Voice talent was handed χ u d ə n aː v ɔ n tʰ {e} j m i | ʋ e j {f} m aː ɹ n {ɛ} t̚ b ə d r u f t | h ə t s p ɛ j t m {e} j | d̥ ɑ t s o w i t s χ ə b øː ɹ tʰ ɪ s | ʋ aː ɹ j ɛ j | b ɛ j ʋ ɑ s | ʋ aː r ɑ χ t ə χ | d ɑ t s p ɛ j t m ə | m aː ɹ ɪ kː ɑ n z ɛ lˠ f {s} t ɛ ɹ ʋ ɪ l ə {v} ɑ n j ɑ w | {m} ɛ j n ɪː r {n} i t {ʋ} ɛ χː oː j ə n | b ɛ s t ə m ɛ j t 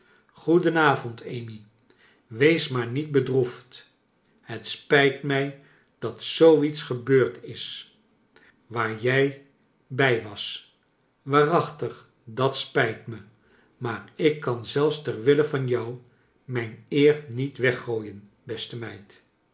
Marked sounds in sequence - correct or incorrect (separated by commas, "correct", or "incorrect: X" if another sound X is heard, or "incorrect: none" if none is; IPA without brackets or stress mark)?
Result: correct, incorrect: s, incorrect: i, incorrect: ɛ, correct, correct, correct, correct, correct